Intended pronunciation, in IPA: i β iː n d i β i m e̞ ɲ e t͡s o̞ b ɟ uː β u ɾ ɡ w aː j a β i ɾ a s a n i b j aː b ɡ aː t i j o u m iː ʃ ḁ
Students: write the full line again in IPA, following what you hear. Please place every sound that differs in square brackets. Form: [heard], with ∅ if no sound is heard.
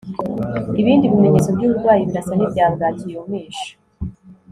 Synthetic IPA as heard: i β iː n d i β i m e̞ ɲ e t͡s o̞ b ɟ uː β u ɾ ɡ w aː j [i] β i ɾ a s a n i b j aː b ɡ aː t i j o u m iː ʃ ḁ